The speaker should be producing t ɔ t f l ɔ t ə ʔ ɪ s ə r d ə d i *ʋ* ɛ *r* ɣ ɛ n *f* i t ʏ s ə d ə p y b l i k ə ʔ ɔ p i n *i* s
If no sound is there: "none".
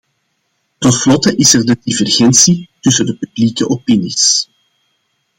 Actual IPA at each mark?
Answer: v, r, s, i

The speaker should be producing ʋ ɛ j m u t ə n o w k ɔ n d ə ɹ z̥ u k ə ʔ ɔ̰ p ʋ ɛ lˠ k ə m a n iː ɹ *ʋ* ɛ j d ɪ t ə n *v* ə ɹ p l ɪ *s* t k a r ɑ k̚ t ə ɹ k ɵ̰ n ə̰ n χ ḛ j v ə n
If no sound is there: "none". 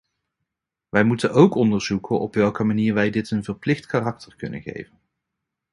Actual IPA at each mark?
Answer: ʋ, v, χ

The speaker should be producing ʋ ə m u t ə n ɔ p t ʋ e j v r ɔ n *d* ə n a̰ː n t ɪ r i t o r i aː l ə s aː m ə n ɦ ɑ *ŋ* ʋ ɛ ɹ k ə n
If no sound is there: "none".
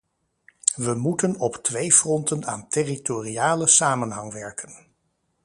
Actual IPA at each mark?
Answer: t, ŋ

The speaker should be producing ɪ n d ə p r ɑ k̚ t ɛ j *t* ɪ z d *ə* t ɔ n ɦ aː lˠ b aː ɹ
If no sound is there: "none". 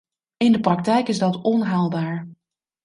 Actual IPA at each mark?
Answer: k, ɑ

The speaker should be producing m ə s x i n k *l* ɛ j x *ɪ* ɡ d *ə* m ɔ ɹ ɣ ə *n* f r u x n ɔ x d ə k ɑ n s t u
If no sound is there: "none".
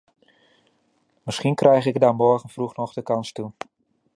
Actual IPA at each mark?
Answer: r, ɪ, a, n

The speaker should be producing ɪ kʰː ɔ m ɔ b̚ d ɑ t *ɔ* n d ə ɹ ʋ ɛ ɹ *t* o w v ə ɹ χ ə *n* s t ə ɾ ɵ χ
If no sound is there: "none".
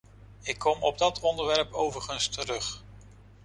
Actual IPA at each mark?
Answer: ɔ, p, n

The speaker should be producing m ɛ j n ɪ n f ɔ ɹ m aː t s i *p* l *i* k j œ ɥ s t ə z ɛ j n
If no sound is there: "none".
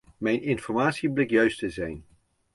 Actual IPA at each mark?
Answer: b, ɪ

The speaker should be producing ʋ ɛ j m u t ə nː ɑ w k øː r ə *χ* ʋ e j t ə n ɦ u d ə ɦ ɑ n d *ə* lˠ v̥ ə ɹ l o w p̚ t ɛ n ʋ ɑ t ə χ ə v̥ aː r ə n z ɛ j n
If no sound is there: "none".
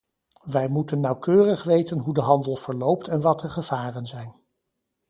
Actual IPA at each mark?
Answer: χ, ə

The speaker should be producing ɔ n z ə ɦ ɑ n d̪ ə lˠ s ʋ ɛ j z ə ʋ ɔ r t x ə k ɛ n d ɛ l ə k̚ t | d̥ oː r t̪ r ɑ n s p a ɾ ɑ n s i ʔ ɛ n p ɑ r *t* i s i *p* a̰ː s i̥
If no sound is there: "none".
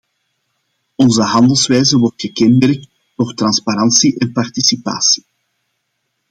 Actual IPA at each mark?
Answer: t, p

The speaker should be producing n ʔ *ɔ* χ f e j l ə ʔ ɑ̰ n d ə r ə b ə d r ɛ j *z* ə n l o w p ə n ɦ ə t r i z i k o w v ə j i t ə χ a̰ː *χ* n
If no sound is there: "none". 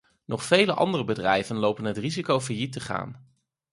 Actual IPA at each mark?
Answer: ɔ, v, none

